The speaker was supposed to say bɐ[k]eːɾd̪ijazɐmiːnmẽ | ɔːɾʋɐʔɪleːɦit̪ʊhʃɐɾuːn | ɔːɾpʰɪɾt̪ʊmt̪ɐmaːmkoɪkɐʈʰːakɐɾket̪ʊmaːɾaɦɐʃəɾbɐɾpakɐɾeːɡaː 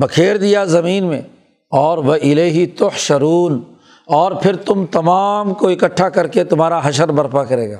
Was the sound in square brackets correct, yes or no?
no